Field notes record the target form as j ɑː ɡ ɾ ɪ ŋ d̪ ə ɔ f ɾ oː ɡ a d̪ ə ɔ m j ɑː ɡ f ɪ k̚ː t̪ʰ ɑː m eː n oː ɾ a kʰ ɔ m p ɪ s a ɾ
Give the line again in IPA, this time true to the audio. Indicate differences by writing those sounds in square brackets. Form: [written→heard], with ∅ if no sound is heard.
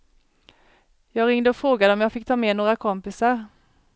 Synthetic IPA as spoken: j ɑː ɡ ɾ ɪ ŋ d̪ ə ɔ f ɾ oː ɡ a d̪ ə ɔ m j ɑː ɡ f ɪ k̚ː t̪ʰ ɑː m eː n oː ɾ a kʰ ɔ m p ɪ s a ɾ